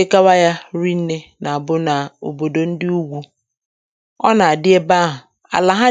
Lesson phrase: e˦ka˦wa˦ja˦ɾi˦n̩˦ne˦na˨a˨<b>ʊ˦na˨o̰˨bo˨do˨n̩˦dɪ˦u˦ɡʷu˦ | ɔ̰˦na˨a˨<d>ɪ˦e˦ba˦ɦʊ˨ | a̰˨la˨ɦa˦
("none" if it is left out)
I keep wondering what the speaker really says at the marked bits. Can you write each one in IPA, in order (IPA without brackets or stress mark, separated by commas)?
b, d